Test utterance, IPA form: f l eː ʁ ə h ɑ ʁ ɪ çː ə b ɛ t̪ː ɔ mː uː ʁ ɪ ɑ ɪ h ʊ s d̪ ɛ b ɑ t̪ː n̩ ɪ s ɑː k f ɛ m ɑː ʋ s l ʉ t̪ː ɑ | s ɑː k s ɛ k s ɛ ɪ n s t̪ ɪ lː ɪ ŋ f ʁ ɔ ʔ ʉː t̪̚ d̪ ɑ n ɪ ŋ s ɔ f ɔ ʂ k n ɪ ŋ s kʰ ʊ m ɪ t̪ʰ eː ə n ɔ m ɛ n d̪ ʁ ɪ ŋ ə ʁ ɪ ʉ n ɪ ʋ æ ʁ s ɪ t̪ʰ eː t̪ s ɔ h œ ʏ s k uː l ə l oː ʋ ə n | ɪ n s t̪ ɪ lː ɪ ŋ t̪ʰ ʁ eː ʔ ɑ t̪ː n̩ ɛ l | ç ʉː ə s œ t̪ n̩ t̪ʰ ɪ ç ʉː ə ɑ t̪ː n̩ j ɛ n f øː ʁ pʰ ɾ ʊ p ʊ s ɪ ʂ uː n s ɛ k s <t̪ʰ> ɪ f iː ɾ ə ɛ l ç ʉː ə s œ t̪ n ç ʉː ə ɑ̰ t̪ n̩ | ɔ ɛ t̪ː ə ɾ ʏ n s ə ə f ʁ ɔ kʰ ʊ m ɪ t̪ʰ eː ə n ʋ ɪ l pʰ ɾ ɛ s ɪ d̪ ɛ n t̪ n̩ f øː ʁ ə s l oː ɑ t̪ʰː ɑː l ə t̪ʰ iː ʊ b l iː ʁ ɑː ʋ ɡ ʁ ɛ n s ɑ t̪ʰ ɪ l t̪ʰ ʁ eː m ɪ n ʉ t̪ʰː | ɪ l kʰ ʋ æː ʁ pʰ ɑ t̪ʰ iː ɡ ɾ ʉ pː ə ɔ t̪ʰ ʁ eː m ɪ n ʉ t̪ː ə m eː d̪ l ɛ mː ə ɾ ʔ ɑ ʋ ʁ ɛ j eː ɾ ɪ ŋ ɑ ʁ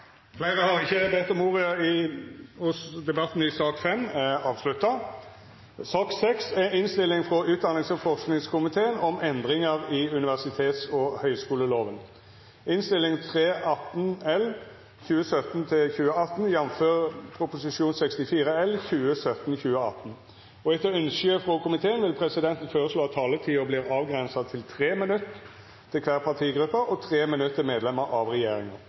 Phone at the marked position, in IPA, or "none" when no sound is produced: t̪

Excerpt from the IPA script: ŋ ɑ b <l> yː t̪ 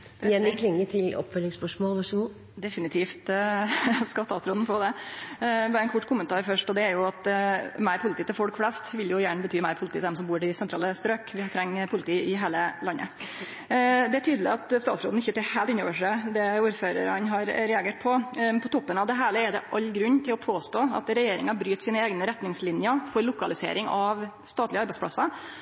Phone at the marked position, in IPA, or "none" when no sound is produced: ɾ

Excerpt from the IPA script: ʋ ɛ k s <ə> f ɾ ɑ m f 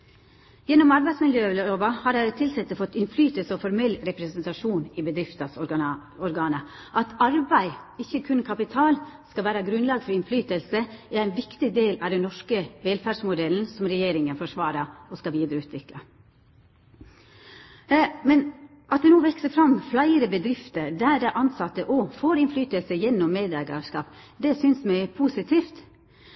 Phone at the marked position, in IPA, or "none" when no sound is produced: ə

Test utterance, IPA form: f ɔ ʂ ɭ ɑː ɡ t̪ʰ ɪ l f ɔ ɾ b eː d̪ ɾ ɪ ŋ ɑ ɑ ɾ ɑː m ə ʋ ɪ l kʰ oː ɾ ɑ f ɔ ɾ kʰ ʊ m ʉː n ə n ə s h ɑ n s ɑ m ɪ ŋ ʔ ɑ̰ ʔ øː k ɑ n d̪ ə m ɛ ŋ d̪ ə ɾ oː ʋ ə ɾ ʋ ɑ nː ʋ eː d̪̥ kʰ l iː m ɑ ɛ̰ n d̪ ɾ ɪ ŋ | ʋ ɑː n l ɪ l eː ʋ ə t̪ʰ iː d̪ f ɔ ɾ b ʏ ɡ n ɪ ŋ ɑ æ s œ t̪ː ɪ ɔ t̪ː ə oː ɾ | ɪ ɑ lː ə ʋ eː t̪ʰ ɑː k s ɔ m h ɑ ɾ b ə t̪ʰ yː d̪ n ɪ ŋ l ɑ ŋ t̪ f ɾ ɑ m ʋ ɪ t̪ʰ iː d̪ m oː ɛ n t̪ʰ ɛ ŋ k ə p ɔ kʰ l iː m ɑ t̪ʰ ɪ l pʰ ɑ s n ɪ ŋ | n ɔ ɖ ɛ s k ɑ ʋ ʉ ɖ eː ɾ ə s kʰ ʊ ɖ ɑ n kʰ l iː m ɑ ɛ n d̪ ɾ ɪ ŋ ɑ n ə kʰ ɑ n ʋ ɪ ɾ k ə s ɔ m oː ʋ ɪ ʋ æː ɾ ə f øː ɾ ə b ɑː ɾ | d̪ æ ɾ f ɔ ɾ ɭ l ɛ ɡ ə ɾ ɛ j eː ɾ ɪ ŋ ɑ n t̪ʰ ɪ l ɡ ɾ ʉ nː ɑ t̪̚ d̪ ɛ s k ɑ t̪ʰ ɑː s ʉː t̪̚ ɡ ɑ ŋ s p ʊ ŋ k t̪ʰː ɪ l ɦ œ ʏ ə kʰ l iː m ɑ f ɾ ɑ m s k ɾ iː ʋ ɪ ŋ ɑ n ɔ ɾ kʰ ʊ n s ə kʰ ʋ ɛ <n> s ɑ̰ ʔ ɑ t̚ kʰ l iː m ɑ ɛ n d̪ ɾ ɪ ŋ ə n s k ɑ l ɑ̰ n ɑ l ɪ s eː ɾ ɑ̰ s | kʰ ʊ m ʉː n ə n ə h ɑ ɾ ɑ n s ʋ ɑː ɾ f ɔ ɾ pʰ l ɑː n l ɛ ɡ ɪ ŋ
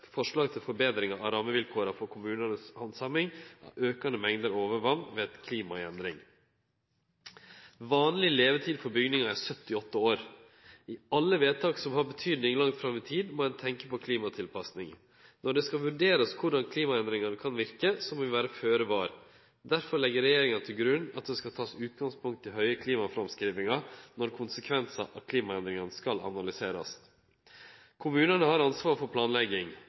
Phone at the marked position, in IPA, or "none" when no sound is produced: n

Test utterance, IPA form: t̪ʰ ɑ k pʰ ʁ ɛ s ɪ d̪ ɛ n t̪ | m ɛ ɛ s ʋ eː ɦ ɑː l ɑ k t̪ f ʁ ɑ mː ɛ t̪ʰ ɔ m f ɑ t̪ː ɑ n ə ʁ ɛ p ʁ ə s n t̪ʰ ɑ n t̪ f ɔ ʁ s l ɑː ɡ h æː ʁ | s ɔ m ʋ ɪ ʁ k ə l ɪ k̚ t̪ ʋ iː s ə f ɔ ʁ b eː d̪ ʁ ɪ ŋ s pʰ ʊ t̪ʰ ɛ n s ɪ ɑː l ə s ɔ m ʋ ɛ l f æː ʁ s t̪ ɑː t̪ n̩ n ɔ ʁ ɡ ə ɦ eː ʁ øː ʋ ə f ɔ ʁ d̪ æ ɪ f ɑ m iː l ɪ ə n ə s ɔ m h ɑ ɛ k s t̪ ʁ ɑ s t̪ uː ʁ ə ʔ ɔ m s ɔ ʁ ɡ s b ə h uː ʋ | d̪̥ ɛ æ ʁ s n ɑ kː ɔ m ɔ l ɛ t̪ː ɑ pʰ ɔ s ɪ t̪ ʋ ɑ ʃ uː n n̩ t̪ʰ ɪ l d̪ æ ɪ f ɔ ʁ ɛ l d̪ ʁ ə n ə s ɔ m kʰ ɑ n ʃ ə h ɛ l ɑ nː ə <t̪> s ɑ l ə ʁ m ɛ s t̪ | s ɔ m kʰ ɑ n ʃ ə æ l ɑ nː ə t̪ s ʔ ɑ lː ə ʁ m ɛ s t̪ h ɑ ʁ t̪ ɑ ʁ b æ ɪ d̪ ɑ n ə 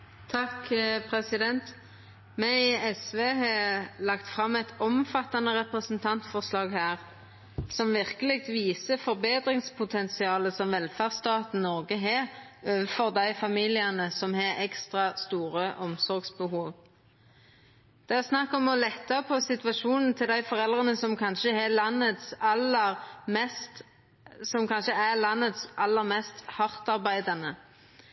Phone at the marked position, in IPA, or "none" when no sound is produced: t̪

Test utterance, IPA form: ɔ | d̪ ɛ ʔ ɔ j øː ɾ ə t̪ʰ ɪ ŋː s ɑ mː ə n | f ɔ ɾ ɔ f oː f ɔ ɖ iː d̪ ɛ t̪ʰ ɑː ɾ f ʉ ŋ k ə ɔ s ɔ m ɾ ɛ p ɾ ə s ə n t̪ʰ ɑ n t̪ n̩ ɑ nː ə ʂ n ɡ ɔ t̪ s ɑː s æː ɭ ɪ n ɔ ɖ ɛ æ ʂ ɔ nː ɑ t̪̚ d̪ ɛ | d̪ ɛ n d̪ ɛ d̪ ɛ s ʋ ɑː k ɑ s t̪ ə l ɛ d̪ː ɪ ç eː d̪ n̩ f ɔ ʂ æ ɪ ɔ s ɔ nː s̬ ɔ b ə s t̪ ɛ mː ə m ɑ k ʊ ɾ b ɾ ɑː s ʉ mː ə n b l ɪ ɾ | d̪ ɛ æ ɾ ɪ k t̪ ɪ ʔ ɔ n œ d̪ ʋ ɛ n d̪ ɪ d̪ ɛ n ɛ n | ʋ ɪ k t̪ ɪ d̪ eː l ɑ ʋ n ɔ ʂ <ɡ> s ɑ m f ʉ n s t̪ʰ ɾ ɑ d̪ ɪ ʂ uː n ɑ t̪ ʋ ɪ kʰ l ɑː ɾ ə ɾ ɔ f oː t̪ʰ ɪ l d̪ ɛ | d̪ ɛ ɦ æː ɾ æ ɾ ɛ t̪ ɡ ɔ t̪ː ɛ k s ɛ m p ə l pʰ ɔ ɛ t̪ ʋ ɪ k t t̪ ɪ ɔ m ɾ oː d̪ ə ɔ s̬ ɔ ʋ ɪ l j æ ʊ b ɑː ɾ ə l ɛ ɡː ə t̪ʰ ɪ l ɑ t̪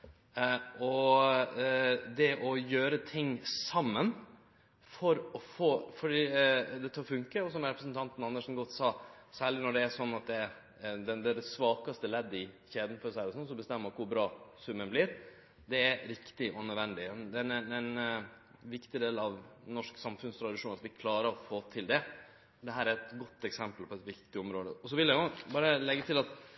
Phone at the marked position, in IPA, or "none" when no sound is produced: k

